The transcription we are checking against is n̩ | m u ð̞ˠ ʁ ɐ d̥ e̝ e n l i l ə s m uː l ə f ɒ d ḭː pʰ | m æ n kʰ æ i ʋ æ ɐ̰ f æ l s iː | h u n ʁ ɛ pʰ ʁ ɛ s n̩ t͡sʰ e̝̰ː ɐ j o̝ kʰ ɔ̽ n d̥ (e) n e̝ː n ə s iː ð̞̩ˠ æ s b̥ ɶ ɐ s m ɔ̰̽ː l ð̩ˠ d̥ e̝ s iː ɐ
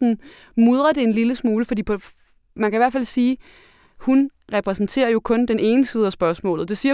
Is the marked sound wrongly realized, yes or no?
no